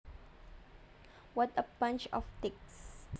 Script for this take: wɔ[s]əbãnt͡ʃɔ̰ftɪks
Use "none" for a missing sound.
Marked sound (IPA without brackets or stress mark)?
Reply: t